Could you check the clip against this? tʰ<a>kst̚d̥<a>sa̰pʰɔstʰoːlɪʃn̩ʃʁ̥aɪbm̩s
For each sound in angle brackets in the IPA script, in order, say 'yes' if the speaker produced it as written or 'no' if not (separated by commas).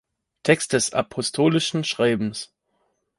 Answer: no, no